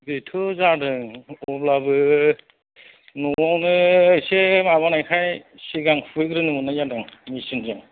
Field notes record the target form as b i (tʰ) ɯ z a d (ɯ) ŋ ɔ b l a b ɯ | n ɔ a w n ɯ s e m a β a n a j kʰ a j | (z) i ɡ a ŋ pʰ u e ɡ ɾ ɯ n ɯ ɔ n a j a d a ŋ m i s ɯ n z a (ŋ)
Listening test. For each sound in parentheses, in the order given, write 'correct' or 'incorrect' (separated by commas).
correct, correct, incorrect, correct